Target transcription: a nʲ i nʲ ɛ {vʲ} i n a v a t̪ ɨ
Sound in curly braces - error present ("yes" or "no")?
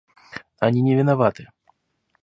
no